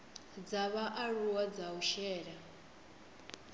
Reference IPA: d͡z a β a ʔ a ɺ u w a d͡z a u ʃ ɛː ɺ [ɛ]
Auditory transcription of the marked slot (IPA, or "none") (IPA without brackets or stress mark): a